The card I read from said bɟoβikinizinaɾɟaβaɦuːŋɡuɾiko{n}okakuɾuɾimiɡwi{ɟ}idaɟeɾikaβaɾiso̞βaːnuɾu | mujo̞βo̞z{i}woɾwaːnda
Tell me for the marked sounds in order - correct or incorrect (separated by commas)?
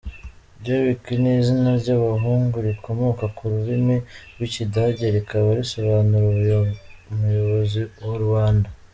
incorrect, incorrect, correct